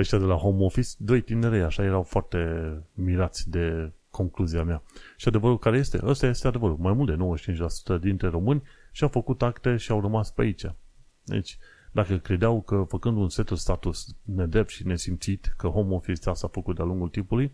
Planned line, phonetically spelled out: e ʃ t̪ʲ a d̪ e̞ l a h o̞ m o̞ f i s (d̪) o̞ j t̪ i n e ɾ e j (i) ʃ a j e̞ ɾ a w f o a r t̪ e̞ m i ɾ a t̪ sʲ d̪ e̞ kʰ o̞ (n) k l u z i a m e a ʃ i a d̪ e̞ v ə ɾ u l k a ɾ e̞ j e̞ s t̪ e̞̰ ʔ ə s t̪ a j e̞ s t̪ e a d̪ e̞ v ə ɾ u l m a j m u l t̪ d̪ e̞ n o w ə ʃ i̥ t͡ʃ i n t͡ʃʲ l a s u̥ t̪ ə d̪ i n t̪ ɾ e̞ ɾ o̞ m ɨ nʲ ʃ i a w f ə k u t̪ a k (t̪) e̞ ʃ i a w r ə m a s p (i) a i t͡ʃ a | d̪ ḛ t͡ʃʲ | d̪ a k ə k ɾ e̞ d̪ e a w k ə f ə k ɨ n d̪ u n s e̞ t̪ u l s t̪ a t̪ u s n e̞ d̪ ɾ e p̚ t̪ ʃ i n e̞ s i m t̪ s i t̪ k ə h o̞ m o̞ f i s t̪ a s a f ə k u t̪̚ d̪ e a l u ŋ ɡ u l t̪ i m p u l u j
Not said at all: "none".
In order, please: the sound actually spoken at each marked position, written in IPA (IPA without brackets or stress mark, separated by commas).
d̪, a, ŋ, t̪, e